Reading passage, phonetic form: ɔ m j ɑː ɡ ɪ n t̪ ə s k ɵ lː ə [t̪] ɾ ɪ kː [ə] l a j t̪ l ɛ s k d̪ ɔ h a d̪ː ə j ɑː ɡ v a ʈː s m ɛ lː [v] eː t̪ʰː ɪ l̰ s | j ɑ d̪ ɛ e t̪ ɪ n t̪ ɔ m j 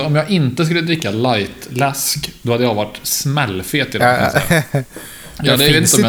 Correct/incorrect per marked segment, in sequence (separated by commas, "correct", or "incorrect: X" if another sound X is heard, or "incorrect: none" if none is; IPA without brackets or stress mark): incorrect: d̪, incorrect: a, incorrect: f